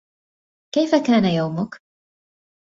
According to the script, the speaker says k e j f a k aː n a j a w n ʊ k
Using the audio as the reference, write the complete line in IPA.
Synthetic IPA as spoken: k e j f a k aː n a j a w m ʊ k